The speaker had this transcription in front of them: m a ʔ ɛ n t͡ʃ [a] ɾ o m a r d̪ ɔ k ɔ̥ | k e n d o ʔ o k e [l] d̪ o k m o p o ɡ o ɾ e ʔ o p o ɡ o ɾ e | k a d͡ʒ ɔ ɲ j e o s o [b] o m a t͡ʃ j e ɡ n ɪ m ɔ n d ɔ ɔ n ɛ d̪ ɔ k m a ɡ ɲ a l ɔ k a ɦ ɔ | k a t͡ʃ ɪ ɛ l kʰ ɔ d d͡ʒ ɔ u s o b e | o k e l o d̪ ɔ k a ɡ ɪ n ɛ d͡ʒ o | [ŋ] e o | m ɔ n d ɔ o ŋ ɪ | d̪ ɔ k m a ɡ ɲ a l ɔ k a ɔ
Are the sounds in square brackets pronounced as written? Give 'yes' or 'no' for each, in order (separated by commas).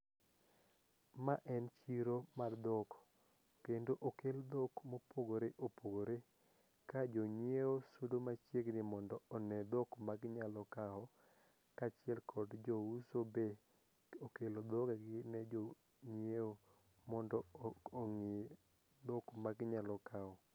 no, yes, no, no